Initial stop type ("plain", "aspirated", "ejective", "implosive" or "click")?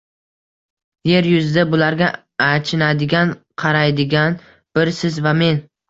plain